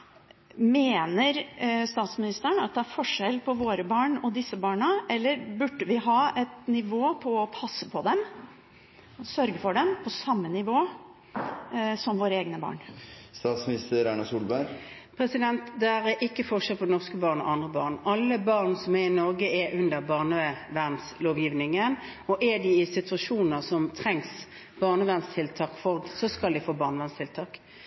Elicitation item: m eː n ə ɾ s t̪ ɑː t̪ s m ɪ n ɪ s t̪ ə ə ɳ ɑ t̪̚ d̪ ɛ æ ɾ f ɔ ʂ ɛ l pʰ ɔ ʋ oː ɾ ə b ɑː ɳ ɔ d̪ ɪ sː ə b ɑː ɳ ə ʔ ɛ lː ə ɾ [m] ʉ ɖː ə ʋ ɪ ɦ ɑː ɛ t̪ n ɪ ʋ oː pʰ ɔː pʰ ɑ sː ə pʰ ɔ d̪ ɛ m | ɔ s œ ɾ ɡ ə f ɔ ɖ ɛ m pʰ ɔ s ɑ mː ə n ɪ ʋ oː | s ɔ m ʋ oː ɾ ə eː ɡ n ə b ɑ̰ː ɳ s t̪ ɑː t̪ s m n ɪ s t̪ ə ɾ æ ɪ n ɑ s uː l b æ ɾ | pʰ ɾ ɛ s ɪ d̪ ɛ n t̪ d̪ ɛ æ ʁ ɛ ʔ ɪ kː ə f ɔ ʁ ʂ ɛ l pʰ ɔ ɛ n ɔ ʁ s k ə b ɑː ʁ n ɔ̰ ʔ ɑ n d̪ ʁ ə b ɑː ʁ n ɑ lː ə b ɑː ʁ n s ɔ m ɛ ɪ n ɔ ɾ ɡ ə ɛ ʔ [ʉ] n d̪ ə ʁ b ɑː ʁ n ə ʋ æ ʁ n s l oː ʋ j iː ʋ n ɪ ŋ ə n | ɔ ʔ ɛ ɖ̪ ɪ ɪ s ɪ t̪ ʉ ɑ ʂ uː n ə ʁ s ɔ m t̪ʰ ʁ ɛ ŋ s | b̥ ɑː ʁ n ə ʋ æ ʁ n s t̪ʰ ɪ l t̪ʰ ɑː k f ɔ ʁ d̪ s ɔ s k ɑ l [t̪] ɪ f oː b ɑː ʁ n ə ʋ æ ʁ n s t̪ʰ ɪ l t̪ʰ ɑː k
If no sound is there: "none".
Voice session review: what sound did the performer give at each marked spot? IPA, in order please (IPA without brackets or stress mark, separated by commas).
b, ʉ, d̪